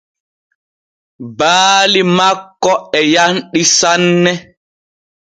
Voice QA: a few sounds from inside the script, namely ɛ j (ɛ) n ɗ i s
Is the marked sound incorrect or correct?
incorrect: a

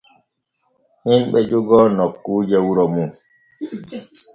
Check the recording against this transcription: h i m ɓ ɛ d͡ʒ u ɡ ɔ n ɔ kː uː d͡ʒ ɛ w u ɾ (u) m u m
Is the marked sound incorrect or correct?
incorrect: ɔ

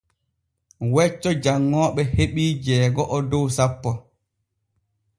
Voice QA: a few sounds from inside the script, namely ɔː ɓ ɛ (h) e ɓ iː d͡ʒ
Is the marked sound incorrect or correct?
correct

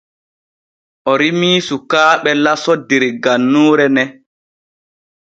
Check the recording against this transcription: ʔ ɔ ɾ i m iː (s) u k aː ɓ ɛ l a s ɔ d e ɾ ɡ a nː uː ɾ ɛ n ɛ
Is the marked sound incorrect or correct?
correct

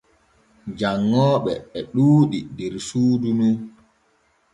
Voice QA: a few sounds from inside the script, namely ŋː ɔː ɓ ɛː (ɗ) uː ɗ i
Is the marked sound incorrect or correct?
correct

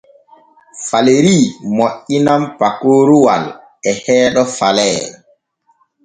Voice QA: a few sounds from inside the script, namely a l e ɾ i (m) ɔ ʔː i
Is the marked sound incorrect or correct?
correct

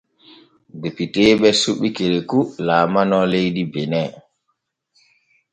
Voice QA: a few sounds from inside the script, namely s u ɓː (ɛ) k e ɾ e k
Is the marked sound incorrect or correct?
incorrect: i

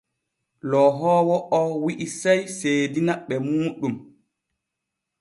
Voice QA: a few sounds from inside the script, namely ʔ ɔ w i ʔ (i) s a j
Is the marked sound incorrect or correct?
correct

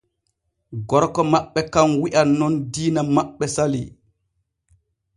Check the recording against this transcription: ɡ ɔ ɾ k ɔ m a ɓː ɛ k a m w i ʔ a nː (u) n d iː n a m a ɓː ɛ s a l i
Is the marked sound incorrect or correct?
incorrect: ɔ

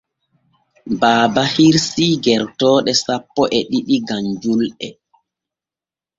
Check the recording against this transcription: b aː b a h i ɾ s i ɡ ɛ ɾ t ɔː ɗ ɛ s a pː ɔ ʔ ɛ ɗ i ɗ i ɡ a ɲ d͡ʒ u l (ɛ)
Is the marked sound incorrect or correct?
correct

